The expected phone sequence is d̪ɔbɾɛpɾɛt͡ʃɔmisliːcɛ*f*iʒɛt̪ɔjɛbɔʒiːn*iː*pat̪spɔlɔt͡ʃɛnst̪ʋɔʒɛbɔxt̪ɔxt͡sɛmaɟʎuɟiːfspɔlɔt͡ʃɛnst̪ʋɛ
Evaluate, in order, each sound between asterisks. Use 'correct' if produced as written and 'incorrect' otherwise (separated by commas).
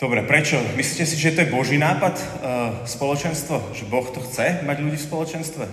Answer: incorrect, incorrect